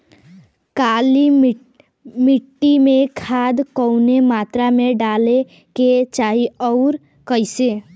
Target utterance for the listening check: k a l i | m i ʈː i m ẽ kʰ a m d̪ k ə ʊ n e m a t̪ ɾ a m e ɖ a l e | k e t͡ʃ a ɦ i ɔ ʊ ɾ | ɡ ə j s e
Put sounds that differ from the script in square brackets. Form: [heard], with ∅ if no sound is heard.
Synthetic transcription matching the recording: k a l i | m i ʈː i m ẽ kʰ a [∅] d̪ k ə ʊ n e m a t̪ ɾ a m e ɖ a l e | k e t͡ʃ a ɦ i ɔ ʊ ɾ | [k] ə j s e

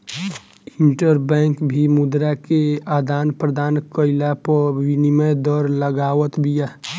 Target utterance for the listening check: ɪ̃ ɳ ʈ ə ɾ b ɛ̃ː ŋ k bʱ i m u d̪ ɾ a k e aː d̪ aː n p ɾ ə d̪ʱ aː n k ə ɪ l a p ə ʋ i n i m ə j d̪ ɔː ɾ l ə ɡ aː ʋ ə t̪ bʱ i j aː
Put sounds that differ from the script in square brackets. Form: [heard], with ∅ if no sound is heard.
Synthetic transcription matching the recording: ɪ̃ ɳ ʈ ə ɾ b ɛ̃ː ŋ k bʱ i m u d̪ ɾ a k e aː d̪ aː n p ɾ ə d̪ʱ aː n k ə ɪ l a p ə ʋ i n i m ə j d̪ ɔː ɾ l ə ɡ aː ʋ ə t̪ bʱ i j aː

